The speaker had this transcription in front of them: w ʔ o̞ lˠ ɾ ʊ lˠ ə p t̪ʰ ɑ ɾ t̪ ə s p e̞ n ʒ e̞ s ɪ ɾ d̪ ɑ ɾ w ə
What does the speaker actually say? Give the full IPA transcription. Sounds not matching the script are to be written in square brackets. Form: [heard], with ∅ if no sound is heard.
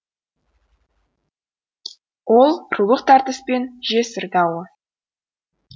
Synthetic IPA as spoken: w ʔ o̞ lˠ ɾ [u] lˠ ə [q] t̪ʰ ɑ ɾ t̪ ə s p e̞ n ʒ e̞ s ɪ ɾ d̪ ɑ [∅] w ə